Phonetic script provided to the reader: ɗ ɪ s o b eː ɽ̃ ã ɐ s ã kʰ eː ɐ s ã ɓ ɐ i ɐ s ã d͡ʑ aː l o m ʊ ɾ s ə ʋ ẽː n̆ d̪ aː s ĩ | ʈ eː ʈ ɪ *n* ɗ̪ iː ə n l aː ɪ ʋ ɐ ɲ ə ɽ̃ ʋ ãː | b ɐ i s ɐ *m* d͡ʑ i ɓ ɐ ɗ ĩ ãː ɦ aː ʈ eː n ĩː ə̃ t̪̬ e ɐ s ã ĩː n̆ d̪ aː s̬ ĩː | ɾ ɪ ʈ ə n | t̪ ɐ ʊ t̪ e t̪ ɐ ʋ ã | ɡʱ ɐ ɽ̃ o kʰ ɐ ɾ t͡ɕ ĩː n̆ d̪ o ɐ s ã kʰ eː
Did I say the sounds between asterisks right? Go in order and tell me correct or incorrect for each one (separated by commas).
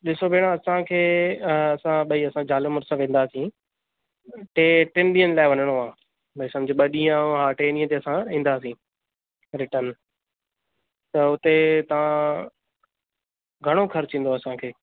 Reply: correct, correct